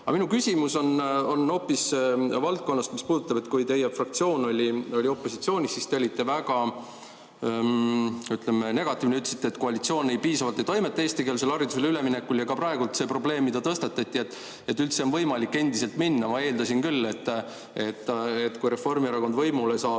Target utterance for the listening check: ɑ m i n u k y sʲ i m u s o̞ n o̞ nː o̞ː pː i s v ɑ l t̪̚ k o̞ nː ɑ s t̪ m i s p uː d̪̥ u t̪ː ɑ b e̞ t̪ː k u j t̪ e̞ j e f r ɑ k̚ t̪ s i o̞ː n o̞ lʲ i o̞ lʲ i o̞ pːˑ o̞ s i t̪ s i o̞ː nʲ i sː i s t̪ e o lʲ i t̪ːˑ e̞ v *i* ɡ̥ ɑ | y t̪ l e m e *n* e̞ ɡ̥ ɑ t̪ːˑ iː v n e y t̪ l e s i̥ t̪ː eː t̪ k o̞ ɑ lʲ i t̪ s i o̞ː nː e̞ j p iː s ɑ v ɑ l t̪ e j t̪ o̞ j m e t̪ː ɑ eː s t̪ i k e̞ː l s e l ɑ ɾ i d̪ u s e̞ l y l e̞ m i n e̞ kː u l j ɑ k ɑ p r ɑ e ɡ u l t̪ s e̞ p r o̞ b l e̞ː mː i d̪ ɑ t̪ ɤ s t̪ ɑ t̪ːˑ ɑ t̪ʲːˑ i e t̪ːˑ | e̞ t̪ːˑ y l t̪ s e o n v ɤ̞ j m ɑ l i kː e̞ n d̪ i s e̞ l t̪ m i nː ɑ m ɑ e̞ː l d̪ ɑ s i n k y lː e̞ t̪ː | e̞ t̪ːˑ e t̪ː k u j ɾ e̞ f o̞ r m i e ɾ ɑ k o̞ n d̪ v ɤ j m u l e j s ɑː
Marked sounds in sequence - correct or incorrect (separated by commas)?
incorrect, correct